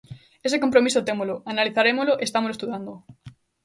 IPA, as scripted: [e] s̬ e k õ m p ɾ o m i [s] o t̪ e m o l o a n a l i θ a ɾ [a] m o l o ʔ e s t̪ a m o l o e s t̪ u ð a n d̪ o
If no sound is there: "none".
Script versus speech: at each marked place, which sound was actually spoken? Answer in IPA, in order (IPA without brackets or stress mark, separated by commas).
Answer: e, s, e